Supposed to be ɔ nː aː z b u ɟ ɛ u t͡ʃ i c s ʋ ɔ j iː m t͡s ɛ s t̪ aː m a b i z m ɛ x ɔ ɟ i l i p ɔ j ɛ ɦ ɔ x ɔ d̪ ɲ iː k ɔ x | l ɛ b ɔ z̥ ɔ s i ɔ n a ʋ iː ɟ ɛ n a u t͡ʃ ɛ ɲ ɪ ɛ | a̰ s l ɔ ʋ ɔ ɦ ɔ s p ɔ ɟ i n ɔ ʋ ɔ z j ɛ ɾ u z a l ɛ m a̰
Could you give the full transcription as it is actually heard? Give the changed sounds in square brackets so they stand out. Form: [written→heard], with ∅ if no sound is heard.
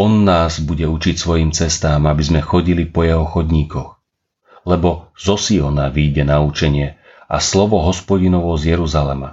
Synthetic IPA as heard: ɔ nː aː z b u ɟ ɛ u t͡ʃ i c s ʋ ɔ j iː m t͡s ɛ s t̪ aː m a b i z m ɛ x ɔ ɟ i l i p ɔ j ɛ ɦ ɔ x ɔ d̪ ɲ iː k ɔ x | l ɛ b ɔ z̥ ɔ s i ɔ n a ʋ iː ɟ ɛ n a u t͡ʃ ɛ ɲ ɪ ɛ | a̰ s l ɔ ʋ ɔ ɦ ɔ s p ɔ ɟ i n ɔ ʋ ɔ z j ɛ ɾ u z a l ɛ m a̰